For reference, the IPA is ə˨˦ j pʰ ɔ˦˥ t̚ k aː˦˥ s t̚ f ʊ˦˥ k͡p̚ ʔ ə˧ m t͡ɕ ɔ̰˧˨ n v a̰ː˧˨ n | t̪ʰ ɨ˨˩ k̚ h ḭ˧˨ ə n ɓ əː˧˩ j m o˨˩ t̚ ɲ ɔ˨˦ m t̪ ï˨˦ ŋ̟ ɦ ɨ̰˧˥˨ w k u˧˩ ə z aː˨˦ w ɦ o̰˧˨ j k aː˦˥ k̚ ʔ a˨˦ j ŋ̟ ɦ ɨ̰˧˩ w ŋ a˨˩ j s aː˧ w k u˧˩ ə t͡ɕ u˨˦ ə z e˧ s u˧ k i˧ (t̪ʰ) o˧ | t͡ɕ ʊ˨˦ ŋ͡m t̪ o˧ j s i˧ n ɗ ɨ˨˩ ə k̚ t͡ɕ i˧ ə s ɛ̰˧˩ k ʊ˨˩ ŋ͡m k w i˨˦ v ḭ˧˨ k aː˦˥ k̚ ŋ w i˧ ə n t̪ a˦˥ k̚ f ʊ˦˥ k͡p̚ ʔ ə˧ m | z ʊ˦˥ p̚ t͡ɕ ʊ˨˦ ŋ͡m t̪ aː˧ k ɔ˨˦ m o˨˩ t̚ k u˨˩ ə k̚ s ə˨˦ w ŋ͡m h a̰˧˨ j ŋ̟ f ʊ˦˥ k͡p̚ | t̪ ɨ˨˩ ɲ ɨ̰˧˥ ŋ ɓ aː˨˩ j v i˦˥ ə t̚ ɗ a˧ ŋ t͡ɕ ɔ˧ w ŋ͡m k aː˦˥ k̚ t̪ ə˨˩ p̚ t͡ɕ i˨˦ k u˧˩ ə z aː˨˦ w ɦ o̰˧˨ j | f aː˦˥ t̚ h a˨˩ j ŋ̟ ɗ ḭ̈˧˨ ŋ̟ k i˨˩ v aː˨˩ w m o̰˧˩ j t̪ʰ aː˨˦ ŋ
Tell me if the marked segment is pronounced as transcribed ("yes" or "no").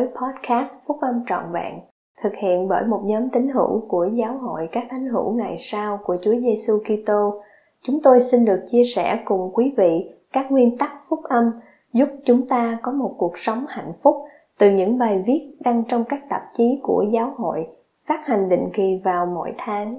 no